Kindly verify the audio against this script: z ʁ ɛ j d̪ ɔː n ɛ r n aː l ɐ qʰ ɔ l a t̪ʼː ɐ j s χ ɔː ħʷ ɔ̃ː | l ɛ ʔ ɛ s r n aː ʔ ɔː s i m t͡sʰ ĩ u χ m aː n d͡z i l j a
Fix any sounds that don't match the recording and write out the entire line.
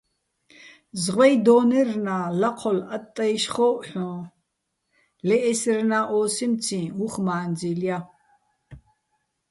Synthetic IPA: z ʁ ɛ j d̪ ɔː n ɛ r n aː l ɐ qʰ ɔ l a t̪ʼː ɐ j ʃ χ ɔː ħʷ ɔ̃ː | l ɛ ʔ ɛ s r n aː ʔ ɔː s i m t͡sʰ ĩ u χ m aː n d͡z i l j a